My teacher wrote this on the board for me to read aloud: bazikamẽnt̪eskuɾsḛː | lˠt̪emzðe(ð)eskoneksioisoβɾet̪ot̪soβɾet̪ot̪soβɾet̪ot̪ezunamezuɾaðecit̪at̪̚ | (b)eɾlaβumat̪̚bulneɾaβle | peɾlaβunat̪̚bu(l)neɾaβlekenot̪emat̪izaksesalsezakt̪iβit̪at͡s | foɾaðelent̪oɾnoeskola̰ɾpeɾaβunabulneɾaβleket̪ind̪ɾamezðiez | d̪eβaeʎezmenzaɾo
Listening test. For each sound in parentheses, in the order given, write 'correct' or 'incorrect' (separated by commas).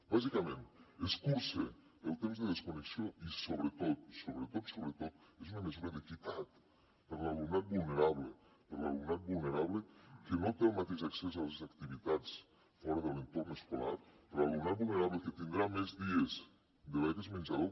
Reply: correct, incorrect, correct